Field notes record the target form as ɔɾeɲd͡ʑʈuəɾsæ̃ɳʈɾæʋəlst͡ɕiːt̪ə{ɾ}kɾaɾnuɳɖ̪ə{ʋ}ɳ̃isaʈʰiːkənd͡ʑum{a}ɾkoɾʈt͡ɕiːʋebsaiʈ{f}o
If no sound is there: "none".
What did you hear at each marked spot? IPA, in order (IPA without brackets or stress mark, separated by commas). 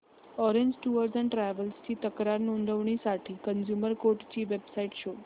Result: none, ʋ, ə, ɕ